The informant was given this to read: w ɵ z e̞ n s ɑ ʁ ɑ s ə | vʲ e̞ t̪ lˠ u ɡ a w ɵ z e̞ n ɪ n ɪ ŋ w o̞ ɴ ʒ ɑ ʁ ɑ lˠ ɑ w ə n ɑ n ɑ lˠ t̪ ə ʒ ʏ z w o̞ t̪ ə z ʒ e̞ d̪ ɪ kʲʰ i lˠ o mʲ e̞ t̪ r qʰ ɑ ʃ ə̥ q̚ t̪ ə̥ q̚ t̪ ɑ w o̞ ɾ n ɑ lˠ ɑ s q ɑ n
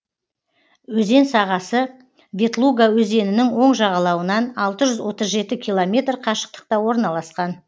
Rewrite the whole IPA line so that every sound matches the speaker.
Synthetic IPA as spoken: w ɵ z e̞ n s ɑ ʁ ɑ s ə | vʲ e̞ t̪ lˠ u ɡ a w ɵ z e̞ n ɪ n ɪ ŋ w o̞ ɴ ʒ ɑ ʁ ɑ lˠ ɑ w ə n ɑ n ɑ lˠ t̪ ə ʒ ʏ z w o̞ t̪ ə z ʒ e̞ t̪ ɪ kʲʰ i lˠ o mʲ e̞ t̪ r qʰ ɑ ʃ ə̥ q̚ t̪ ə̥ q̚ t̪ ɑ w o̞ ɾ n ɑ lˠ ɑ s q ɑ n